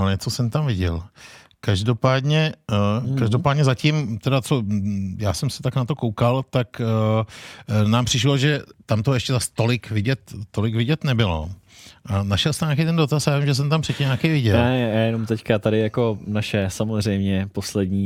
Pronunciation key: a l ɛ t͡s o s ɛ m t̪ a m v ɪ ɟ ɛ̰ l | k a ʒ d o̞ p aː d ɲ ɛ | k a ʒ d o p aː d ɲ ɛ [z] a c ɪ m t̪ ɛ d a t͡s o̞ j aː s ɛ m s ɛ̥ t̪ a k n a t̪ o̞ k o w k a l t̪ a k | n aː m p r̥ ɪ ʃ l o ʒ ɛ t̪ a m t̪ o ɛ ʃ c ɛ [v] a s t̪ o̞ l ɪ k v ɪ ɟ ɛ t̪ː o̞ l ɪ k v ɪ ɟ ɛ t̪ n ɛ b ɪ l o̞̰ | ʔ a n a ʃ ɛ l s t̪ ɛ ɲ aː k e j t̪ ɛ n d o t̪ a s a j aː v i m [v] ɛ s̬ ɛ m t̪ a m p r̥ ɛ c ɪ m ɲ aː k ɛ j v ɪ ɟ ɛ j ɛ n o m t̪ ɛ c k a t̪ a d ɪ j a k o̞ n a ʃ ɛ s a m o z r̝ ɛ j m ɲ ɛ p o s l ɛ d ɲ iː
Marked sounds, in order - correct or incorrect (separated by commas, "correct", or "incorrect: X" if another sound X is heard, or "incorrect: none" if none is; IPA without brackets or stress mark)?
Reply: correct, incorrect: z, incorrect: ʒ